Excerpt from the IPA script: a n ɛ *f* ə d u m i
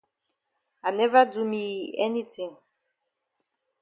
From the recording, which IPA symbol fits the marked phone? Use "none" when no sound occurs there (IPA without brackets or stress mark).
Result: v